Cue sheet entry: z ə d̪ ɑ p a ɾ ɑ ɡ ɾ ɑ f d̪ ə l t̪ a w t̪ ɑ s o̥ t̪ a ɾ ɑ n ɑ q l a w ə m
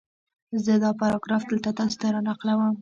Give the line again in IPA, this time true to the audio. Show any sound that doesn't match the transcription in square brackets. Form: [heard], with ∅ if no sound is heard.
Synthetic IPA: z ə d̪ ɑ p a ɾ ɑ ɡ ɾ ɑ f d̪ ə l t̪ a [∅] t̪ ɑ s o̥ t̪ a ɾ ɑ n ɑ q l a w ə m